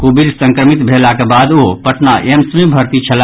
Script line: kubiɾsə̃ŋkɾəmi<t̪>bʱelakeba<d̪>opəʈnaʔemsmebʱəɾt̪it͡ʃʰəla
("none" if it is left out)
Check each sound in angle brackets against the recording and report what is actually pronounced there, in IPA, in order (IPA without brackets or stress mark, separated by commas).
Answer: t̪, d̪